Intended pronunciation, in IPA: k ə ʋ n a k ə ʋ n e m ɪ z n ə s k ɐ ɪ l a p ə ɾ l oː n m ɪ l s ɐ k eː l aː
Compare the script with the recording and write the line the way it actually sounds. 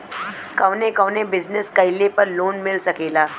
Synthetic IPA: k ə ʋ n e k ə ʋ n e b ɪ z n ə s k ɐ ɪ l e p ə ɾ l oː n m ɪ l s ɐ k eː l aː